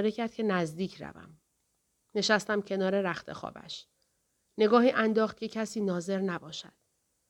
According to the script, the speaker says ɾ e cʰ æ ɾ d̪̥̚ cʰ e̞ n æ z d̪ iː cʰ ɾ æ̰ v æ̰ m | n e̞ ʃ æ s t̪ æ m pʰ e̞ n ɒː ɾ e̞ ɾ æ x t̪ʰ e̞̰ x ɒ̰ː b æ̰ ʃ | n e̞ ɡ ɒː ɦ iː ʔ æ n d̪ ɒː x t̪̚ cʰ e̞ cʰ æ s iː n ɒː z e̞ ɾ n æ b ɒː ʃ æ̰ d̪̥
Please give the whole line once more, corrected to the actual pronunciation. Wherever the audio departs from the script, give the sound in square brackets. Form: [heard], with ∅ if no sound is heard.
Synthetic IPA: ɾ e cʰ æ ɾ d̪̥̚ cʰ e̞ n æ z d̪ iː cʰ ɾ æ̰ v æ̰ m | n e̞ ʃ æ s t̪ æ m [cʰ] e̞ n ɒː ɾ e̞ ɾ æ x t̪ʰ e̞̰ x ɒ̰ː b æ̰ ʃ | n e̞ ɡ ɒː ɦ iː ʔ æ n d̪ ɒː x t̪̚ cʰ e̞ cʰ æ s iː n ɒː z e̞ ɾ n æ b ɒː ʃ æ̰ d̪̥